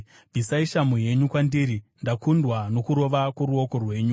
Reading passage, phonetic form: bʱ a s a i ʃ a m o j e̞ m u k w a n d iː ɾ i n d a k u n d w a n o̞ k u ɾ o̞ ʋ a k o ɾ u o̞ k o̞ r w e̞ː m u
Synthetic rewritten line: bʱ i s a i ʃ a m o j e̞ ɲ u k w a n d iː ɾ i n d a k u n d w a n o̞ k u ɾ o̞ ʋ a k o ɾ u o̞ k o̞ r w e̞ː ɲ u